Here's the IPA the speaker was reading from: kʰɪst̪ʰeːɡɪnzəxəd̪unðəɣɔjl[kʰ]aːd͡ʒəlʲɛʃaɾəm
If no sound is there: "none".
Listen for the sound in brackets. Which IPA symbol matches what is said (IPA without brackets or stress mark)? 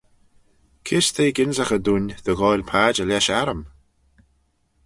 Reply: pʰ